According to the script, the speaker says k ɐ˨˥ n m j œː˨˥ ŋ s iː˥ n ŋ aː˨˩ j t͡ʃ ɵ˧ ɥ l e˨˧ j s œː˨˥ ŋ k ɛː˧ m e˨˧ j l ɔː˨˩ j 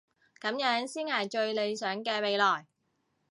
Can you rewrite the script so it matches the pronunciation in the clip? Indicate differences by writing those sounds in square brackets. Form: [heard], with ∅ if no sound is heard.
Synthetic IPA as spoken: k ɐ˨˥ [∅] m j œː˨˥ ŋ s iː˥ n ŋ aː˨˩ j t͡ʃ ɵ˧ ɥ l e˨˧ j s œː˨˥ ŋ k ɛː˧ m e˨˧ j l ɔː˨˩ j